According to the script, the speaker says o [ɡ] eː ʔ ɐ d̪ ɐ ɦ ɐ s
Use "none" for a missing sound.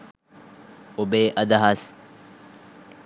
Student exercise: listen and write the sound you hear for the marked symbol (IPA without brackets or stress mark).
b